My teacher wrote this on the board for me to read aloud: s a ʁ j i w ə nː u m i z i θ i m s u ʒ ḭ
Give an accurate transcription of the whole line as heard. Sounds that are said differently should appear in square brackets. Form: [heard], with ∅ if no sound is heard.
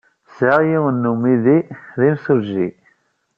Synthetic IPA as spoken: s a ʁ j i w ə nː u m i [ð] i [ð] i m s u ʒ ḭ